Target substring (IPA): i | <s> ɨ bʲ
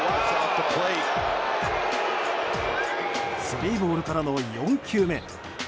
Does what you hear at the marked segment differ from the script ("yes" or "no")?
no